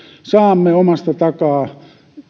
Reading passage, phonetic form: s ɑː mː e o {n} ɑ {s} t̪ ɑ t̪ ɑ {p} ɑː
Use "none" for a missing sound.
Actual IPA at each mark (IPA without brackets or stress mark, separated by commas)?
m, s, k